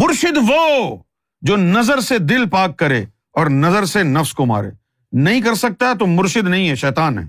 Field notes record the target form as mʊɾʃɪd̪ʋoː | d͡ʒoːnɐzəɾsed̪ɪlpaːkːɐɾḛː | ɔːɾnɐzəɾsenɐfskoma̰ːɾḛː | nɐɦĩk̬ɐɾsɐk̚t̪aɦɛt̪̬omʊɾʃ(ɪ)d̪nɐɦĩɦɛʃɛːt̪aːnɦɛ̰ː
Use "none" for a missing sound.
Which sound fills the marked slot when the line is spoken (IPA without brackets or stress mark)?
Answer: ɪ